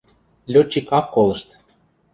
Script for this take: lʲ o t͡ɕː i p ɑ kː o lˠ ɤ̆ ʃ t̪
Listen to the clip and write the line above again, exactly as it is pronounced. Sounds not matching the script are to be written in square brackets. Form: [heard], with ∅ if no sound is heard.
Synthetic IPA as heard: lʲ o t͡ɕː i [k] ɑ kː o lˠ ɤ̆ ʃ t̪